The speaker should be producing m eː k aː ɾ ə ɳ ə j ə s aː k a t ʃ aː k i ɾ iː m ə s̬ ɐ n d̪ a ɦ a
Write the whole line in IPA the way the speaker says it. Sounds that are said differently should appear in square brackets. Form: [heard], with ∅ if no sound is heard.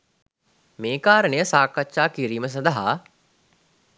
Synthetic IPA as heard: m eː k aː ɾ ə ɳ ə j ə s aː k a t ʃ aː k i ɾ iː m ə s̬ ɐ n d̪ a ɦ a